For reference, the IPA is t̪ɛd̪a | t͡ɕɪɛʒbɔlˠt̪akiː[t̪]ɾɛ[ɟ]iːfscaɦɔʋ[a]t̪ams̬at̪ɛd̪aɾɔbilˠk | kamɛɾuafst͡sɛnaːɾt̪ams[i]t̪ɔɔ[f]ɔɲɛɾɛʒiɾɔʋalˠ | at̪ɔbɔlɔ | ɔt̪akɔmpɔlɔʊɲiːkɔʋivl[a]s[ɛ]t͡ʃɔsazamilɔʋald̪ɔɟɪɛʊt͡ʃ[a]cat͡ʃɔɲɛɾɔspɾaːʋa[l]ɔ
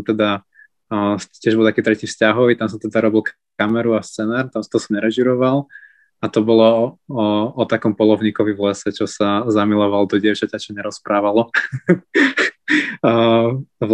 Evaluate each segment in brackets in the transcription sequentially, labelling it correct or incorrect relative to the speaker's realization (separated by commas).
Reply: correct, incorrect, incorrect, incorrect, incorrect, incorrect, correct, correct, correct